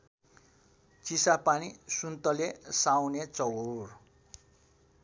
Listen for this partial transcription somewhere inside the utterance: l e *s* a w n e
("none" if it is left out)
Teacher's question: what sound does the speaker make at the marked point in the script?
s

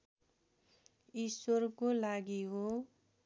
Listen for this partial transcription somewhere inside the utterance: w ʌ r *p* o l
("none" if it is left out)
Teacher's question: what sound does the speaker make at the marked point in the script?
k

